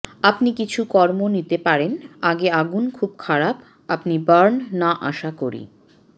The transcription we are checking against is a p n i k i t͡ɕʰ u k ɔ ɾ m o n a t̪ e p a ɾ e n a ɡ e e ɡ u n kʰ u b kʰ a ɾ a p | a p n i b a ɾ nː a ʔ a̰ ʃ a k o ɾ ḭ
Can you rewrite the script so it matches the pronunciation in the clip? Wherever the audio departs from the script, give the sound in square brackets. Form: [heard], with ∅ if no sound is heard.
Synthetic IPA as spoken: a p n i k i t͡ɕʰ u k ɔ ɾ m o n [i] t̪ e p a ɾ e n a ɡ e [a] ɡ u n kʰ u b kʰ a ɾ a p | a p n i b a ɾ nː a ʔ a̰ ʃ a k o ɾ ḭ